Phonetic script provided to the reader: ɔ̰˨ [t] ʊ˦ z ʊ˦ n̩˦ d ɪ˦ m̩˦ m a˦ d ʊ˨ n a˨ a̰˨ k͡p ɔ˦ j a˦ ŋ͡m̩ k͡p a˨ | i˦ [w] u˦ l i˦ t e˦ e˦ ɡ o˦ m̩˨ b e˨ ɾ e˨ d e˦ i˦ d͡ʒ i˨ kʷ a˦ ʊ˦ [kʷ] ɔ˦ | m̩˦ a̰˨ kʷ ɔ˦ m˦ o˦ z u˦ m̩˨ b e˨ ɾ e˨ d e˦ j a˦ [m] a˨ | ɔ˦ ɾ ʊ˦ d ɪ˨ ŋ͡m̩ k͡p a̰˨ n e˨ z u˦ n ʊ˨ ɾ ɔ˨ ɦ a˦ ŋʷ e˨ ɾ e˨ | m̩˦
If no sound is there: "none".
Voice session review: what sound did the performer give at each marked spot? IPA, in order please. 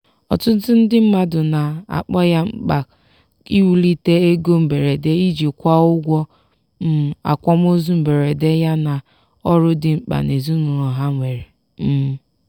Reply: t, w, ɡʷ, n

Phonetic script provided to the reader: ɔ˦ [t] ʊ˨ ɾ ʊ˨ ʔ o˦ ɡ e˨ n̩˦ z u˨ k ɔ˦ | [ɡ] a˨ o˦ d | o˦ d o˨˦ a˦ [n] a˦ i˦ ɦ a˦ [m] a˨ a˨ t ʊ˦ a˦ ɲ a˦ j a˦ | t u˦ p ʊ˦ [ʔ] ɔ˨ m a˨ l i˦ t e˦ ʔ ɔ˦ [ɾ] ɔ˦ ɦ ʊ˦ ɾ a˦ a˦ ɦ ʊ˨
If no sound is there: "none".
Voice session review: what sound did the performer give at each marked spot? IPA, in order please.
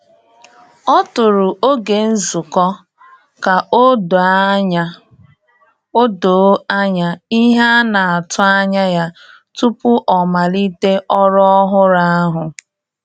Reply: t, k, ɲ, n, ʔ, ɾ

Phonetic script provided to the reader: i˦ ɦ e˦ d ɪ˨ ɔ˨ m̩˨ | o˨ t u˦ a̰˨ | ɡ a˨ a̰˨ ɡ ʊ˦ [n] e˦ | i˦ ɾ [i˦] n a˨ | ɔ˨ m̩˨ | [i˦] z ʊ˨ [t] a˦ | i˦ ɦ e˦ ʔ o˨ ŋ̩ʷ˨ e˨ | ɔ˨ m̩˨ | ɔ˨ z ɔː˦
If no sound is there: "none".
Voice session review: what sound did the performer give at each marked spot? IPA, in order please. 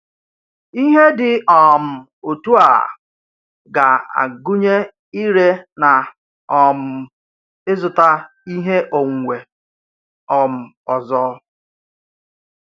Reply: ɲ, e˦, ɪ˦, t

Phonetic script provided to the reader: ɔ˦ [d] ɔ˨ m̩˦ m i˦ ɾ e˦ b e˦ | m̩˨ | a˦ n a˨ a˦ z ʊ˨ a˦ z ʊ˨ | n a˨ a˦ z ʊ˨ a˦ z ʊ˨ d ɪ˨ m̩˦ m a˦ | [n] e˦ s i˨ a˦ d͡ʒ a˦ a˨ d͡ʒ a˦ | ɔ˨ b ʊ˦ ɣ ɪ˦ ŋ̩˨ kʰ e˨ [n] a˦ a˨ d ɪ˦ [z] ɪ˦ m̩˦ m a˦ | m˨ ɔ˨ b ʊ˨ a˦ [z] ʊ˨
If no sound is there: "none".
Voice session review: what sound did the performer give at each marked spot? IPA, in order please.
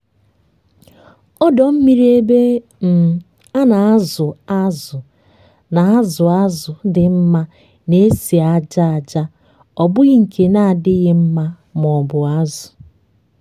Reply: d, n, n, ɣ, z

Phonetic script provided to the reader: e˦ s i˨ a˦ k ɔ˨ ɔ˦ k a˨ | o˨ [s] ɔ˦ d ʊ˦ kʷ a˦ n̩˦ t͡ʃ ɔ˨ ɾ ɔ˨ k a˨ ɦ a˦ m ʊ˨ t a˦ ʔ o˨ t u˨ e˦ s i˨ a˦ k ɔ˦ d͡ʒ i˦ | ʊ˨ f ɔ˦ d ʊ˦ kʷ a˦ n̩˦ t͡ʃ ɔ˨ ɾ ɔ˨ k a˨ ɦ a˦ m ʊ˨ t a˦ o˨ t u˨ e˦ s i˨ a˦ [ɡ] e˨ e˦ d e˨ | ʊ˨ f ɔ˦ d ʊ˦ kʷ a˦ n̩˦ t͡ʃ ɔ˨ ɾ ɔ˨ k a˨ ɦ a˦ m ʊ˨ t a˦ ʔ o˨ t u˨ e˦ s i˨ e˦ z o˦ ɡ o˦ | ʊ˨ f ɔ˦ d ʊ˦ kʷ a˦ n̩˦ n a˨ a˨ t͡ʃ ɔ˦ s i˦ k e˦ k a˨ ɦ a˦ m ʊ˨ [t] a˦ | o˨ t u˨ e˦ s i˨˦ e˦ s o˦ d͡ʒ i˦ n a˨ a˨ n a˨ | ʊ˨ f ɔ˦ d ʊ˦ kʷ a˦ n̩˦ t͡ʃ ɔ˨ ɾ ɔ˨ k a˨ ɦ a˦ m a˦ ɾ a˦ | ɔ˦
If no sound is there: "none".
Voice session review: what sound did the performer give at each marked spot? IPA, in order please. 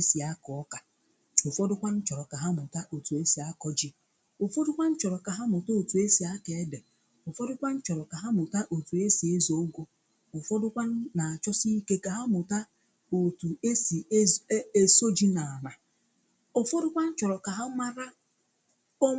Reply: f, k, t

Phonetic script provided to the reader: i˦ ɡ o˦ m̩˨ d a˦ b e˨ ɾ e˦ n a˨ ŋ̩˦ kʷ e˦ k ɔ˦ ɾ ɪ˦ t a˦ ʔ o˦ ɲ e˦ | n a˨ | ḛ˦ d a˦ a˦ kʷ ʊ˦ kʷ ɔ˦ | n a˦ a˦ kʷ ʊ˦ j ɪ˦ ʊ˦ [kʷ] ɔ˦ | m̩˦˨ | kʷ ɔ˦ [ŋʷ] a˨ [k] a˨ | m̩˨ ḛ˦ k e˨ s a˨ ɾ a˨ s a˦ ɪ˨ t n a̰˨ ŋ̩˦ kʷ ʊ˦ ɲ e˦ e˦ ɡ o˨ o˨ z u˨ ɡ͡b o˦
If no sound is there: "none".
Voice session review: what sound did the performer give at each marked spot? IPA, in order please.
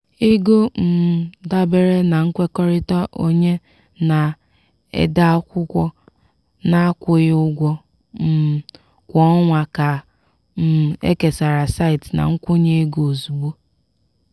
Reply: ɡʷ, ŋʷ, k

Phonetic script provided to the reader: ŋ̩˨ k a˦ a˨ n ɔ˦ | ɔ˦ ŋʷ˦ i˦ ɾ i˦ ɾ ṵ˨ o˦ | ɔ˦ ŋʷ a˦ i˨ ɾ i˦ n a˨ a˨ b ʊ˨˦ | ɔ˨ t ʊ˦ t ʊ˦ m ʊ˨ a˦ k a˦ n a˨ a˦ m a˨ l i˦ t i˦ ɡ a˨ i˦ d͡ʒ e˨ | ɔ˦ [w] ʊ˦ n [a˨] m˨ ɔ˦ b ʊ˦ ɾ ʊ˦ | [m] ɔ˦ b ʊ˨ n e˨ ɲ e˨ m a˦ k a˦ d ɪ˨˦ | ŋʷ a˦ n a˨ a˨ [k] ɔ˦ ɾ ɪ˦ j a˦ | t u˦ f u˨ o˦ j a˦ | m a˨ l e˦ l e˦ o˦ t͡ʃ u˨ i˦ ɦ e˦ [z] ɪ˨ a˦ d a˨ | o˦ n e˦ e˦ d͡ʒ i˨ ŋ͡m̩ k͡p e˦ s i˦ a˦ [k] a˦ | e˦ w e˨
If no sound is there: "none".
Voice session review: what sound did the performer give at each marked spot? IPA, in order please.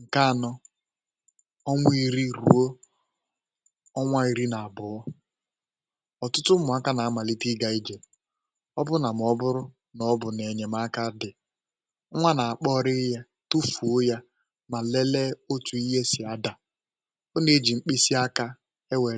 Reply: b, a˨, n, k͡p, s, k

